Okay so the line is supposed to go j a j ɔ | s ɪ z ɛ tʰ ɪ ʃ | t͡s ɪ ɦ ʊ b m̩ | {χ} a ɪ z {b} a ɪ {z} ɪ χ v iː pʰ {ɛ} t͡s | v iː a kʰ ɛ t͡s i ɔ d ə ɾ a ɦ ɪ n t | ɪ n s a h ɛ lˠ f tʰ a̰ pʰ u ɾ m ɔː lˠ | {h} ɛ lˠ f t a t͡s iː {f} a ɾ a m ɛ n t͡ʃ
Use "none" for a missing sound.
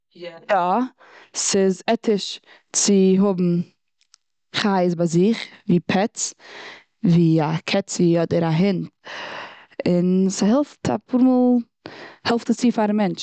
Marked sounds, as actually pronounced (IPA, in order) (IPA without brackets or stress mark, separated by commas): χ, b, z, ɛ, h, f